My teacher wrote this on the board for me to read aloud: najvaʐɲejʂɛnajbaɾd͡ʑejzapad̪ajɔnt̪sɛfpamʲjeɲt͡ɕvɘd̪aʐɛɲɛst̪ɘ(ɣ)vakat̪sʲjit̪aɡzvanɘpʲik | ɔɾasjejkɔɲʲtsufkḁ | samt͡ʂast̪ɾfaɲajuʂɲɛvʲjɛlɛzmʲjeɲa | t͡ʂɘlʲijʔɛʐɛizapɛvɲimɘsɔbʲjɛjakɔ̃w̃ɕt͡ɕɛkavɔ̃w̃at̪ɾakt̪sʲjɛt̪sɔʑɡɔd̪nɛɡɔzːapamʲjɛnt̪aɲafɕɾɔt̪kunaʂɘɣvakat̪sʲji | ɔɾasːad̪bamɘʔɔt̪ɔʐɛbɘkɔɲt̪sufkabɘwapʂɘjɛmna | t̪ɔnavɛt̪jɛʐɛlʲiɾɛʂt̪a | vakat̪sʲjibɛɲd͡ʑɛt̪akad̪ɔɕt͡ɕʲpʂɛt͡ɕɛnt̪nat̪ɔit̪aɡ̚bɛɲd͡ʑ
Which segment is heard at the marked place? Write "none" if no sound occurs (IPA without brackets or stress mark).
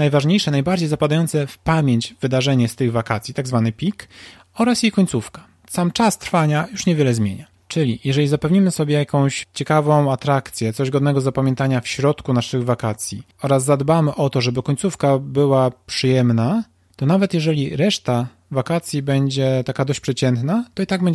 ɣ